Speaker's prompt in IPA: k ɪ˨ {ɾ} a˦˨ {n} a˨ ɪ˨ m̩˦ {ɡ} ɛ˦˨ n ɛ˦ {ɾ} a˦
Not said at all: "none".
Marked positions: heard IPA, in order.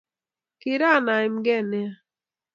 ɾ, n, ɡ, none

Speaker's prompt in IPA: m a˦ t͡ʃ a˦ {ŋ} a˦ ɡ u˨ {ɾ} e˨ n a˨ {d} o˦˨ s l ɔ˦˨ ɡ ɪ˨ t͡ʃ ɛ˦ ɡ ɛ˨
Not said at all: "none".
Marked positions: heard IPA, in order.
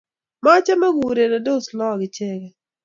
m, ɾ, d

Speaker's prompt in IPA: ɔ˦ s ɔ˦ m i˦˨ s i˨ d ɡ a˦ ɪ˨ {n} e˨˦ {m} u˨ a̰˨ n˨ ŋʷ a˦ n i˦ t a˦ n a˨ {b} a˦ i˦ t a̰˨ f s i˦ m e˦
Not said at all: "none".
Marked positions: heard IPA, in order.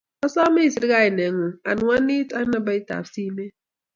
n, ŋ, b

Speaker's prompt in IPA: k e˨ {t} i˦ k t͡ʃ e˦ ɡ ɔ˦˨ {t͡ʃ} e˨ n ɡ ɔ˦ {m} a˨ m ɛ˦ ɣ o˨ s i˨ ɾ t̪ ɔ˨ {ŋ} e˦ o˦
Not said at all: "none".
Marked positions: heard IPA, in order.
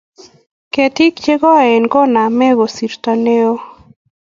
t, none, n, n

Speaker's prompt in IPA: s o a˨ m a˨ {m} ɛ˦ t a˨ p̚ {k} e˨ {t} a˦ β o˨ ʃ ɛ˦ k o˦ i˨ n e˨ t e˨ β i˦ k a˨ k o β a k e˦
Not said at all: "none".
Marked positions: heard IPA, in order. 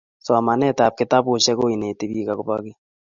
n, k, t

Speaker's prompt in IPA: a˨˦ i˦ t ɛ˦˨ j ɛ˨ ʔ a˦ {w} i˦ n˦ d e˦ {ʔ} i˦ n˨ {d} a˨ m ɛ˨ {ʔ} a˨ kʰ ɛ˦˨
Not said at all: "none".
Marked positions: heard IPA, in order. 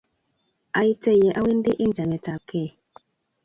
w, ʔ, d͡ʒ, t

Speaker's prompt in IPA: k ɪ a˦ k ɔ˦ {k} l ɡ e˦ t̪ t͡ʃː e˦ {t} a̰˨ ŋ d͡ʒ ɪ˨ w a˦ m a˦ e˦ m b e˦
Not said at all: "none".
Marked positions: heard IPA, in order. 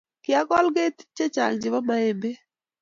none, t͡ʃ

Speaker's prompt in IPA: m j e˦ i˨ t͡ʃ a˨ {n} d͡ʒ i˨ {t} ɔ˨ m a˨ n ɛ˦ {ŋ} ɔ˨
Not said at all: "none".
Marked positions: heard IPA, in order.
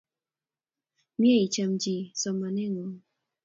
m, s, ŋ

